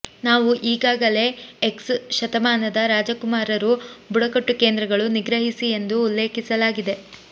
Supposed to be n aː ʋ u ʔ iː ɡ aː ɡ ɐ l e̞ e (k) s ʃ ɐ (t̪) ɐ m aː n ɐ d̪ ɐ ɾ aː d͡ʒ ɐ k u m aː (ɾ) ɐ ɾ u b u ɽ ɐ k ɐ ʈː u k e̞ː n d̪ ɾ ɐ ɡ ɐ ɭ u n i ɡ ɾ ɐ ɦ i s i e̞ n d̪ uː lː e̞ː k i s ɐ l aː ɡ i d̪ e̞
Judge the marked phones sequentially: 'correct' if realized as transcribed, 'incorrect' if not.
correct, correct, correct

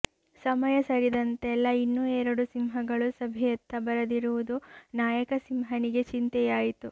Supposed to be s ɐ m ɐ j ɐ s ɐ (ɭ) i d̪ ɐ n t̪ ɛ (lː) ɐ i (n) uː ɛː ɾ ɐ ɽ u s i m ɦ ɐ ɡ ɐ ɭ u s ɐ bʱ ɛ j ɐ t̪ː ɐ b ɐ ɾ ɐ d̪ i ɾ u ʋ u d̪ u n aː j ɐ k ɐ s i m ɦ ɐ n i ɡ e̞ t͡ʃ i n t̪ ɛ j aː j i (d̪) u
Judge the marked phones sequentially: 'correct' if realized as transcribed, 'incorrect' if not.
incorrect: ɾ, correct, incorrect: nː, incorrect: t̪

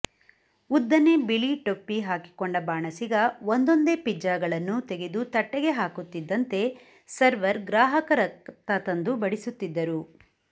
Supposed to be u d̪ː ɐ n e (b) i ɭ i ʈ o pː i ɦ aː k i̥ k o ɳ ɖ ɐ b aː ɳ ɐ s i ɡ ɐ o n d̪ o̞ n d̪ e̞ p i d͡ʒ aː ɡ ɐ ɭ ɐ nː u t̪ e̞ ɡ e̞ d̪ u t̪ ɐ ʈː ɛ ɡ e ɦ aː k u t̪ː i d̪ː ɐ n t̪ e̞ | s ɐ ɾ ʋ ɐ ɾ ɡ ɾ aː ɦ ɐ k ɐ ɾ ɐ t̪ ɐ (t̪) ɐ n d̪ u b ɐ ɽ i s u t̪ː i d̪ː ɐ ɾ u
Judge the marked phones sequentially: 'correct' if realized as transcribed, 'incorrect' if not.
correct, correct

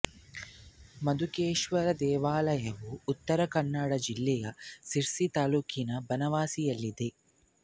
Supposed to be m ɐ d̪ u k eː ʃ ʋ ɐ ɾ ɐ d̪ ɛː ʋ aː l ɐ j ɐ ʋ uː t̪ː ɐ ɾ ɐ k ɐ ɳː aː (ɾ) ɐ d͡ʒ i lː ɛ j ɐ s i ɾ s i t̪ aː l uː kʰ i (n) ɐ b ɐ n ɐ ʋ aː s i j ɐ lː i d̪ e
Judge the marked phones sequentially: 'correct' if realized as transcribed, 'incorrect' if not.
incorrect: ɽ, correct

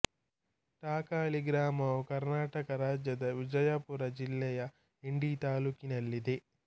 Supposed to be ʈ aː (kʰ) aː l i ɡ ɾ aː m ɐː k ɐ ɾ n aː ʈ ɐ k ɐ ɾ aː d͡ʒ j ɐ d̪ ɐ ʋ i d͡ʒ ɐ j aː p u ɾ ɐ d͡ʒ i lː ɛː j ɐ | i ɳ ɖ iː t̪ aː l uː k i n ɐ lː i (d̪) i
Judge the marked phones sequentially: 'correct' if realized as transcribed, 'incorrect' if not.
incorrect: k, correct

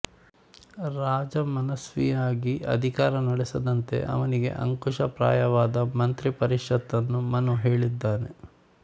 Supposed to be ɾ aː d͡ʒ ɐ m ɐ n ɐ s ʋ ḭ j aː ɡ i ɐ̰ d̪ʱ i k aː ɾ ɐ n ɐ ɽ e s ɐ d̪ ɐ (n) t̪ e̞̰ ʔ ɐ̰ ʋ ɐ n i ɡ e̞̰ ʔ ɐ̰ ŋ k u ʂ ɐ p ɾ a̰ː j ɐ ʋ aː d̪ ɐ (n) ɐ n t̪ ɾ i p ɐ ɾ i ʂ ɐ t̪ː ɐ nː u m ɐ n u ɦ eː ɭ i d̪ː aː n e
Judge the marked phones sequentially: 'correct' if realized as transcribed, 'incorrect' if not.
correct, incorrect: m

